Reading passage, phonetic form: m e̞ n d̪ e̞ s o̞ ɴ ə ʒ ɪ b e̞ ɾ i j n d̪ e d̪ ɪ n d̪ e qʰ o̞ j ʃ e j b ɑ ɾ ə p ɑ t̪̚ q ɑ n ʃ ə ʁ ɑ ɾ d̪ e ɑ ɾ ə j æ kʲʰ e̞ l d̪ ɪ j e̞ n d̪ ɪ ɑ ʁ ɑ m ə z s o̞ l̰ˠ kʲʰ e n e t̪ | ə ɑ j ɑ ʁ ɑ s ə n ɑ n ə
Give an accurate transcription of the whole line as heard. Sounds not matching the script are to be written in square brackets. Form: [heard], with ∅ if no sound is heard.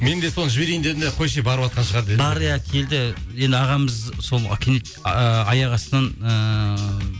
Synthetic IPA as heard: m e̞ n d̪ e̞ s o̞ [n] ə ʒ ɪ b e̞ ɾ [e] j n d̪ e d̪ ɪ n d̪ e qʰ o̞ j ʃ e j b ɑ ɾ ə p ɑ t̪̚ q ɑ n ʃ ə ʁ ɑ ɾ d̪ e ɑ ɾ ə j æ kʲʰ e̞ l d̪ ɪ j e̞ n d̪ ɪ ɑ ʁ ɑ m ə z s o̞ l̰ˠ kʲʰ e n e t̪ | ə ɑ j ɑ ʁ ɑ s ə n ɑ n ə

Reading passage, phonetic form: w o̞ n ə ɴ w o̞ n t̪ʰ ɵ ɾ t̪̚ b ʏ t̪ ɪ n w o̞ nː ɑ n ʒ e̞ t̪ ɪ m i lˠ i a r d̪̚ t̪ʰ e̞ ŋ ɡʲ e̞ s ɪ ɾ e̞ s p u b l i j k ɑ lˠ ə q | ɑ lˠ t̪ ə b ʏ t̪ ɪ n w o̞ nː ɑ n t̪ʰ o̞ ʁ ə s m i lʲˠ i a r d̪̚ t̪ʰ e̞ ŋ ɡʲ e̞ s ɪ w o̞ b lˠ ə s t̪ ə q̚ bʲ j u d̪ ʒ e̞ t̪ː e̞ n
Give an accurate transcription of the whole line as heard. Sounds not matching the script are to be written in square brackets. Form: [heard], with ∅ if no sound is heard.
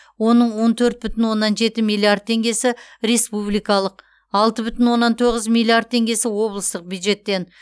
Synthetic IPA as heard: w o̞ n ə ɴ w o̞ n t̪ʰ ɵ ɾ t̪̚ b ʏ t̪ ɪ n w o̞ nː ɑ n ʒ e̞ t̪ ɪ m i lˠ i a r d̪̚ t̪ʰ e̞ ŋ ɡʲ e̞ s ɪ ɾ e̞ s p u b l i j k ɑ lˠ ə q | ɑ lˠ t̪ ə b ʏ t̪ ɪ n w o̞ nː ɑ n t̪ʰ o̞ ʁ ə [z] m i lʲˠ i a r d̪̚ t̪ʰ e̞ ŋ ɡʲ e̞ s ɪ w o̞ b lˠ ə s t̪ ə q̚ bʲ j u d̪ ʒ e̞ t̪ː e̞ n

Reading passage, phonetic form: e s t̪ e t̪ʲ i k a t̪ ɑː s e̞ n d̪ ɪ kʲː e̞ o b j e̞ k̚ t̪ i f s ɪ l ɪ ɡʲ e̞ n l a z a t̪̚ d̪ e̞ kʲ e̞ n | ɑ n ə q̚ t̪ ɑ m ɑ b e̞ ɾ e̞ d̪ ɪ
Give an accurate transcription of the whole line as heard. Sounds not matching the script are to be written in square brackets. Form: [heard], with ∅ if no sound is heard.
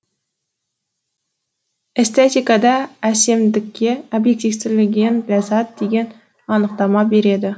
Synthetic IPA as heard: e s t̪ e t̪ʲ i k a [d̪] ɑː s e̞ [m] d̪ ɪ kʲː e̞ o b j e̞ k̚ t̪ i f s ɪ l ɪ ɡʲ e̞ n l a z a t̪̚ d̪ e̞ [ɡʲ] e̞ n | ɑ n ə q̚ t̪ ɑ m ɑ b e̞ ɾ e̞ d̪ ɪ

